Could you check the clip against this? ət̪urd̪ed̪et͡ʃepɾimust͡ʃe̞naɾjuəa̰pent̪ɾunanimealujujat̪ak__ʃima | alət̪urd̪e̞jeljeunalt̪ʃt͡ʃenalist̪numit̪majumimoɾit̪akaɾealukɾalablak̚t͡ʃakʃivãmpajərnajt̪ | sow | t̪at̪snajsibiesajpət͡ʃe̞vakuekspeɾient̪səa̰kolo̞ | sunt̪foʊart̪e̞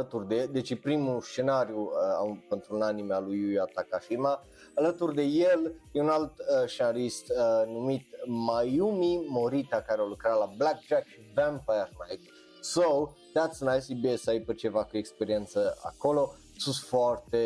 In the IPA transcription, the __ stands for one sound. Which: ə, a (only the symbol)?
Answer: a